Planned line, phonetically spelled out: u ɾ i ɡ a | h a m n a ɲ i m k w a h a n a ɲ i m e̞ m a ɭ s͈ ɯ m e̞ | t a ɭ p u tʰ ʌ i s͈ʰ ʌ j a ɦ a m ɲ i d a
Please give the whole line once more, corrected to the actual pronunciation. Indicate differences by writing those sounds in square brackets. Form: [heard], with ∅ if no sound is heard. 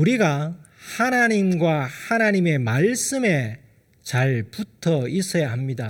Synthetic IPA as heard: u ɾ i ɡ a | h a [∅] n a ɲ i m [ɡ] w a h a n a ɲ i m e̞ m a ɭ s͈ ɯ m e̞ | [t͡ɕ] a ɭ p u tʰ ʌ i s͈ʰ ʌ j a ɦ a m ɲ i d a